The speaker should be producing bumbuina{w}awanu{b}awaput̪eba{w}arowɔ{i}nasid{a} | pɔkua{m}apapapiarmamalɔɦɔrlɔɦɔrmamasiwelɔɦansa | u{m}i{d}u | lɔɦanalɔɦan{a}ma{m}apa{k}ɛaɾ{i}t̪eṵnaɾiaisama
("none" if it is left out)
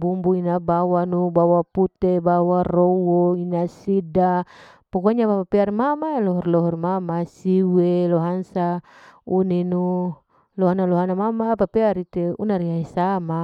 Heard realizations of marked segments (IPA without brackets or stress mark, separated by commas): b, b, w, i, a, ɲ, n, n, a, m, p, i